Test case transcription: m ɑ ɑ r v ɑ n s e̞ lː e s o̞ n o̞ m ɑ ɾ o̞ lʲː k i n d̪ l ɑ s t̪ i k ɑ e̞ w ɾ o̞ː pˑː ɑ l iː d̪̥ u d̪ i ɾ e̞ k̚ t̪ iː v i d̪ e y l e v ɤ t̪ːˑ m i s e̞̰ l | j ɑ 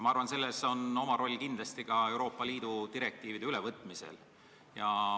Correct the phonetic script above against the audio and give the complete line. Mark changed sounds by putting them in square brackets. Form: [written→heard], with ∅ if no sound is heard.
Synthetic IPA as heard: m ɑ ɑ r v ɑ n s e̞ lː e s o̞ n o̞ m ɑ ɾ o̞ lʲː k i n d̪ l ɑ s t̪ i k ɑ e̞ w ɾ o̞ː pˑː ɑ l iː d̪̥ u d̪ i ɾ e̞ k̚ t̪ iː v i d̪ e y l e v ɤ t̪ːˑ m i s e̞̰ l | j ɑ